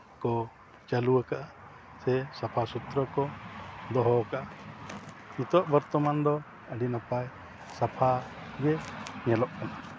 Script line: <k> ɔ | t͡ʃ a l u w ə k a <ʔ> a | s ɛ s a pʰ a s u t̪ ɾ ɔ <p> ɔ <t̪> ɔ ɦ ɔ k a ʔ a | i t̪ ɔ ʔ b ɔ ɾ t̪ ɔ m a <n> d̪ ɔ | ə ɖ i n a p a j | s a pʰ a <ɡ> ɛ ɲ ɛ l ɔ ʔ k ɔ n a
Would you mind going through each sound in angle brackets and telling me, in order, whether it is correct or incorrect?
correct, correct, incorrect: k, incorrect: d̪, correct, correct

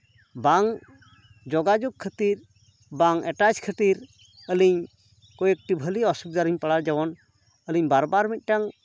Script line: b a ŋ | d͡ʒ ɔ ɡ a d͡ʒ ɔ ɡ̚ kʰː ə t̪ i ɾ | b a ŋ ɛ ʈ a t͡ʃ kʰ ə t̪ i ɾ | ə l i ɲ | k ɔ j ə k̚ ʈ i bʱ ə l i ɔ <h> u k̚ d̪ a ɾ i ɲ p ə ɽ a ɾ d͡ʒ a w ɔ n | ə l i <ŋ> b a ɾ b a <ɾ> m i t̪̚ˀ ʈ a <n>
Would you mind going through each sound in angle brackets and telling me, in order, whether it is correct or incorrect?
incorrect: s, incorrect: ɲ, correct, incorrect: ŋ

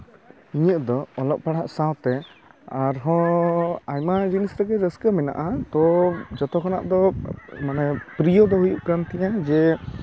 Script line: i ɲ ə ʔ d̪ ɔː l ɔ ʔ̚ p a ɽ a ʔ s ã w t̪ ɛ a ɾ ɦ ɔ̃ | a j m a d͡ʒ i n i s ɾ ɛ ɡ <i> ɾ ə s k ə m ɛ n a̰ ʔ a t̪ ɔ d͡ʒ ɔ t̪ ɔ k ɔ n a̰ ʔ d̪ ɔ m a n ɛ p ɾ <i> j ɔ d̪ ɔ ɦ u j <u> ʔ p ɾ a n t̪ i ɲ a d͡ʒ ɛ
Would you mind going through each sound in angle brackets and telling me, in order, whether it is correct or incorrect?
incorrect: ɛ, correct, correct

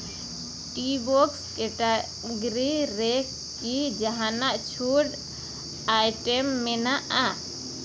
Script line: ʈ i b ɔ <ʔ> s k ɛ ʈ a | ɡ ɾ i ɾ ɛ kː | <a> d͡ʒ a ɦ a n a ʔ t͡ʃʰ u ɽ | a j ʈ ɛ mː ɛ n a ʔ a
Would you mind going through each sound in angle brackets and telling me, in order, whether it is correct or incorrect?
incorrect: k, incorrect: i

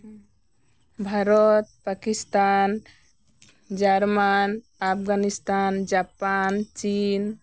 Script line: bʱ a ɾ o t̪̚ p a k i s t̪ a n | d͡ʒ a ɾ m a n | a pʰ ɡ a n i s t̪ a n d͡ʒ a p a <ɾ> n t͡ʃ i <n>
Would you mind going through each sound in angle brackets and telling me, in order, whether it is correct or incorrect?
incorrect: none, correct

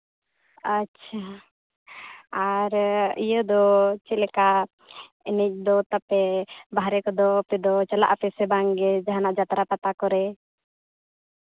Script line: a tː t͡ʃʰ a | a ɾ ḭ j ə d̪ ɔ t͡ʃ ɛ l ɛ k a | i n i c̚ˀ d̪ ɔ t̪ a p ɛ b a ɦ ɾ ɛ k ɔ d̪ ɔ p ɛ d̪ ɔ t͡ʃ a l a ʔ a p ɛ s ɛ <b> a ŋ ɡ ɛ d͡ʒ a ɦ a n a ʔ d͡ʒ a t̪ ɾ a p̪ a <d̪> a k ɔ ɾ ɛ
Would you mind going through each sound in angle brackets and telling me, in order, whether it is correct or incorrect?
correct, incorrect: t̪

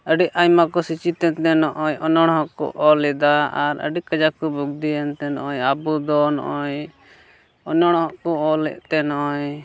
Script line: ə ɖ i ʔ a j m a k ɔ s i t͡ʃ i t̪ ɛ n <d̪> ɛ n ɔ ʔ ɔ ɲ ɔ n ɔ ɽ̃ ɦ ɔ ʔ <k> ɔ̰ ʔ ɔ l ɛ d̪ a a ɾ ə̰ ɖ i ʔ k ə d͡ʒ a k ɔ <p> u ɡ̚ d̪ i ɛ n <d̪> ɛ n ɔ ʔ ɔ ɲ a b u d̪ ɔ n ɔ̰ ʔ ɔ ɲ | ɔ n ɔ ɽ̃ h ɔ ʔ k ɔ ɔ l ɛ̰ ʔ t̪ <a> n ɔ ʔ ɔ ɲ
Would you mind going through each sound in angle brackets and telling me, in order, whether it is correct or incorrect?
incorrect: t̪, correct, incorrect: b, incorrect: t̪, incorrect: ɛ

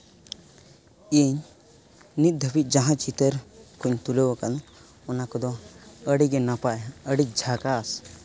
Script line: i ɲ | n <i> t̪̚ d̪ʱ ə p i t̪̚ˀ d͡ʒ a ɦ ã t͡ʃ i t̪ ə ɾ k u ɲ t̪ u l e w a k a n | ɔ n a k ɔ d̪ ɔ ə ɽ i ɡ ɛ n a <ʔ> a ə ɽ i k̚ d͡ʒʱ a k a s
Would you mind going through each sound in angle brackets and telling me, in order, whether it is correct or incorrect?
correct, incorrect: p

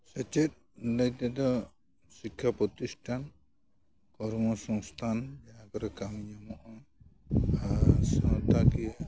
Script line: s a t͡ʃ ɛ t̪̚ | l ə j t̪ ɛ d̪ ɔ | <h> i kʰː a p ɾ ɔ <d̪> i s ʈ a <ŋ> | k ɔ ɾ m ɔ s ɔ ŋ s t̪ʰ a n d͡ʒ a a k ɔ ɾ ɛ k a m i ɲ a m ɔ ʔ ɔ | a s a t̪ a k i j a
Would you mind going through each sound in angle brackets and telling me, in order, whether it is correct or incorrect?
incorrect: s, incorrect: t̪, incorrect: n

